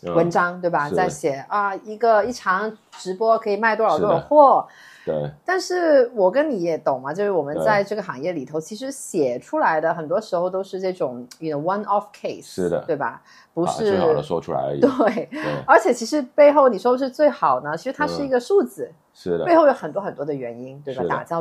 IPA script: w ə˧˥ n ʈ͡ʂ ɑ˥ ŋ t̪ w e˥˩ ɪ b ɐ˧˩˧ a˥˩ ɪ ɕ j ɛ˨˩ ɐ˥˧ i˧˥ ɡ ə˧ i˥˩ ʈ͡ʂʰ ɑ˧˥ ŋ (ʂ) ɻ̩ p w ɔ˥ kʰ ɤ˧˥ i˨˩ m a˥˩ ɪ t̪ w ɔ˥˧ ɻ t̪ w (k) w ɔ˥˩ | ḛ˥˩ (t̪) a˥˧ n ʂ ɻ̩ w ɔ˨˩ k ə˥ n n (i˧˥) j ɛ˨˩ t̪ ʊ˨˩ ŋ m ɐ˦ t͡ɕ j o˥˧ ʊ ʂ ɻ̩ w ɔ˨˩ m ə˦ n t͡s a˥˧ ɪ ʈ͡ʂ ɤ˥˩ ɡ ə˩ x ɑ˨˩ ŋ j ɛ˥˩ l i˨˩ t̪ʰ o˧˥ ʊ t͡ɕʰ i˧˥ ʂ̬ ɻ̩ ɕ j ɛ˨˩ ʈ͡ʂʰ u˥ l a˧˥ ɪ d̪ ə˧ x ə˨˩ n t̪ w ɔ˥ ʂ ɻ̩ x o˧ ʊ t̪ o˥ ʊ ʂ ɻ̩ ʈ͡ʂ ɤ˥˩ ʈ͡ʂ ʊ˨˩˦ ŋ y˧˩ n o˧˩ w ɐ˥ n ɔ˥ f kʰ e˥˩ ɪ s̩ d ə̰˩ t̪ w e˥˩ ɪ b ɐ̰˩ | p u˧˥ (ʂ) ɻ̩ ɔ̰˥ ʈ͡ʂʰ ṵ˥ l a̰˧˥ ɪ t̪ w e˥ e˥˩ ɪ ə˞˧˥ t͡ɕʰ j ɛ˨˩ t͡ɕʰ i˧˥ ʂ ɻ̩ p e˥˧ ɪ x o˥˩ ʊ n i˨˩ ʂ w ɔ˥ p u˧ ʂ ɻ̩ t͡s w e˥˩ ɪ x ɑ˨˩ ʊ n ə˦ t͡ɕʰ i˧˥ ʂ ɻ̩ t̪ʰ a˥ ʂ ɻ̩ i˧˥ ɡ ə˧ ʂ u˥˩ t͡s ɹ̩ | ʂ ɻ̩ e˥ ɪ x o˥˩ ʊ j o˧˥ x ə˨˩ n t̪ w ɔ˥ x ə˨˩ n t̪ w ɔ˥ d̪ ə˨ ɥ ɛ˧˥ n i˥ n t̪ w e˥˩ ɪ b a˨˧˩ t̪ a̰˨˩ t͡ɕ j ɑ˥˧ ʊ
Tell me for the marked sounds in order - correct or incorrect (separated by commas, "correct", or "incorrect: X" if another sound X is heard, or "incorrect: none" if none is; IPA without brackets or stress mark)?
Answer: incorrect: ʈ͡ʂ, incorrect: x, correct, correct, correct